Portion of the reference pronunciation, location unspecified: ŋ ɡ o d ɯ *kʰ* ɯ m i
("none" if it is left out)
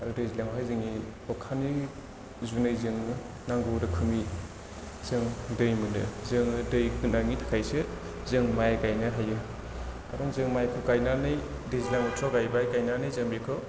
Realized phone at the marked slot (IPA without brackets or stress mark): kʰ